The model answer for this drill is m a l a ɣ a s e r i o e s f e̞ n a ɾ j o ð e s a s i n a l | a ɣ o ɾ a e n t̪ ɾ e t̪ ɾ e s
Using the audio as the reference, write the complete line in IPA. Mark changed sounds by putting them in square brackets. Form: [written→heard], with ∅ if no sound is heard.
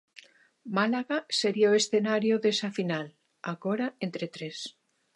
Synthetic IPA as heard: m a l a ɣ a s e [r→ɾ] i o e s [f→θ] e̞ n a ɾ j o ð e s a [s→f] i n a l | a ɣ o ɾ a e n t̪ ɾ e t̪ ɾ e s